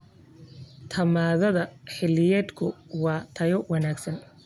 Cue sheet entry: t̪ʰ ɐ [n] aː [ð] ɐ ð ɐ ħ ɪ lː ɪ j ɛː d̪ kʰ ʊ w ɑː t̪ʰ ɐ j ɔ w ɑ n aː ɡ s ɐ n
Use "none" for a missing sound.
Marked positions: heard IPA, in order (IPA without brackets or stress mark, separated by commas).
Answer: m, ð